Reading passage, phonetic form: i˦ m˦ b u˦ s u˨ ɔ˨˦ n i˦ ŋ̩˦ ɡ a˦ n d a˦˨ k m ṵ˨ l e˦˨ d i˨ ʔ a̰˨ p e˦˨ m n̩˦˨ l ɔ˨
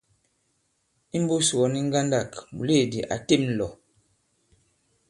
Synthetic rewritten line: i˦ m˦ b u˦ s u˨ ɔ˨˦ n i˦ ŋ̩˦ ɡ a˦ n d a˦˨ k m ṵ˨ l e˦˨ d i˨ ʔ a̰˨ t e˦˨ m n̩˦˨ l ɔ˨